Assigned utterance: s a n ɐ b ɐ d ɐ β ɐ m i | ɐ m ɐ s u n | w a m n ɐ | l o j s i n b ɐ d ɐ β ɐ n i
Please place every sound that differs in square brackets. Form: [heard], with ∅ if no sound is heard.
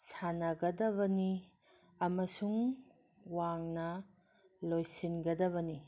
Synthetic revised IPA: s a n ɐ [ɡ] ɐ d ɐ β ɐ [n] i | ɐ m ɐ s u [ŋ] | w a [ŋ] n ɐ | l o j s i n [ɡ] ɐ d ɐ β ɐ n i